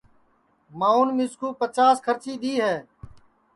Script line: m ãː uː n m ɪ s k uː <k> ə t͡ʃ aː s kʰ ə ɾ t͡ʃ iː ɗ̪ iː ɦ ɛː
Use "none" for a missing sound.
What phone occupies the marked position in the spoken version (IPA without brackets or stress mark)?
p